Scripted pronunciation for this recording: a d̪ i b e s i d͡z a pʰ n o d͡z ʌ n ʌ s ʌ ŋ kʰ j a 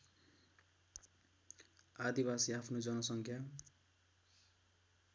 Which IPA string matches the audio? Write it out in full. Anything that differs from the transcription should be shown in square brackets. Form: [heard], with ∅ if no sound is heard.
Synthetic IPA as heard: a d̪ i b [a] s i [∅] a pʰ n o d͡z ʌ n ʌ s ʌ ŋ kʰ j a

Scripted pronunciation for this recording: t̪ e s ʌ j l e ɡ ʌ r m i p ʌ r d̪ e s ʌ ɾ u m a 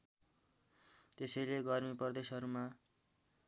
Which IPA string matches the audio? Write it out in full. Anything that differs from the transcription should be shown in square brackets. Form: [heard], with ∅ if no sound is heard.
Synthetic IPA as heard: t̪ e s ʌ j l e ɡ ʌ r m i p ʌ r d̪ e s ʌ ɾ u m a

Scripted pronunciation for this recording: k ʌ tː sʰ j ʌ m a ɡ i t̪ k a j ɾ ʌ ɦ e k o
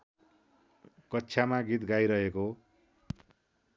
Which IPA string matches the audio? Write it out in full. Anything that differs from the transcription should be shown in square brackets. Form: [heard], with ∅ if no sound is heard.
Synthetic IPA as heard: k ʌ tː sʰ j [a] m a ɡ i t̪ [ɡ] a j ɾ ʌ ɦ e k o

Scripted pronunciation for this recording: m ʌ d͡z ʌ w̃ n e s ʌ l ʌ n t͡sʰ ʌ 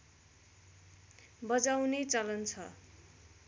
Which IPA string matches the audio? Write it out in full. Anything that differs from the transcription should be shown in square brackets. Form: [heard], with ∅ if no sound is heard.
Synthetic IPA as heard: [b] ʌ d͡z [a] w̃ n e [t͡s] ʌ l ʌ n t͡sʰ ʌ

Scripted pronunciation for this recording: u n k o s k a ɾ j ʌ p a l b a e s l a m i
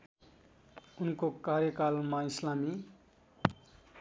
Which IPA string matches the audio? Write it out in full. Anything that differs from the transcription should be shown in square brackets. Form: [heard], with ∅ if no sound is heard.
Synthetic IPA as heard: u n k o [∅] k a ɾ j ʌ [k] a l [m] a [i] s l a m i

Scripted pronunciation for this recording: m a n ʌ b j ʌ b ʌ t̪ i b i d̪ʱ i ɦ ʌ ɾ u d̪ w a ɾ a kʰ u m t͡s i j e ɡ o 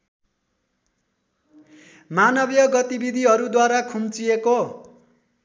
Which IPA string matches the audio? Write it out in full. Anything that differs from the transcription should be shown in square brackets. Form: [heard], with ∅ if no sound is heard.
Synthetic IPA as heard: m a n ʌ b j ʌ [ɡ] ʌ t̪ i b i d̪ʱ i ɦ ʌ ɾ u d̪ w a ɾ a kʰ u m t͡s i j e [k] o

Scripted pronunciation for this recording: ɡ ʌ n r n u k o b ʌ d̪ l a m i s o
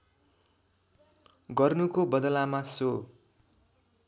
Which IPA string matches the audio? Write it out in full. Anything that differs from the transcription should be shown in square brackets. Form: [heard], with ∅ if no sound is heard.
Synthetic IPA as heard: ɡ ʌ [∅] r n u k o b ʌ d̪ l a m [a] s o

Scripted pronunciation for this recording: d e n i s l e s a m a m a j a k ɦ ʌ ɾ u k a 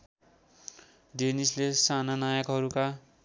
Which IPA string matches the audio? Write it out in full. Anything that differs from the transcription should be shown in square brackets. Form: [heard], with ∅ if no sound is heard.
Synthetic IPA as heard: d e n i s l e s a [n] a [n] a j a k ɦ ʌ ɾ u k a

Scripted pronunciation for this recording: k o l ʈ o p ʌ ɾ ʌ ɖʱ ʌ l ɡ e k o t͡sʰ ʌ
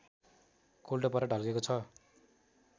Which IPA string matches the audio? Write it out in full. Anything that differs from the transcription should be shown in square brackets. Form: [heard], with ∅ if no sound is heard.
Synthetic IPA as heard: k o l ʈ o p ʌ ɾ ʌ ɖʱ ʌ l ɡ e k o t͡sʰ ʌ

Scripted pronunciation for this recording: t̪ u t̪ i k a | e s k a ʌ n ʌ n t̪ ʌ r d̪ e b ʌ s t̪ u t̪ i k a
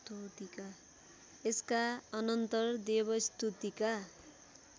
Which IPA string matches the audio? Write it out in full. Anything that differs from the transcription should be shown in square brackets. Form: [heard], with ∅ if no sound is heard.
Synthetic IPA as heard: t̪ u t̪ i k a | e s k a ʌ n ʌ n t̪ ʌ r d̪ e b ʌ s t̪ u t̪ i k a

